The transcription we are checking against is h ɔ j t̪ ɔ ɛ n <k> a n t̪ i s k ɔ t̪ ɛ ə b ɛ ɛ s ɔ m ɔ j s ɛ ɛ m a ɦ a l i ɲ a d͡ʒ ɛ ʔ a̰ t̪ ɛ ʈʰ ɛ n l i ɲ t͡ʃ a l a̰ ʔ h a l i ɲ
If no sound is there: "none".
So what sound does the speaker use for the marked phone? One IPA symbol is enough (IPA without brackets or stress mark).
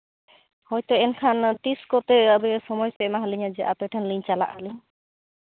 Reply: kʰ